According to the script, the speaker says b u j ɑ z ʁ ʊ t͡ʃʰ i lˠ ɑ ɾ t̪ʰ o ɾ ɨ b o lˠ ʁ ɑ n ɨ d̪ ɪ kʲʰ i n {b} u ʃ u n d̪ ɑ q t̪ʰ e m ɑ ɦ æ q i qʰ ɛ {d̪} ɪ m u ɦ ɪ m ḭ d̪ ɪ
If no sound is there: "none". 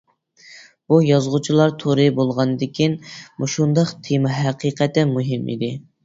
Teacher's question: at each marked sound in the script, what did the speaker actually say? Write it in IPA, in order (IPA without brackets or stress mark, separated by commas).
m, t̪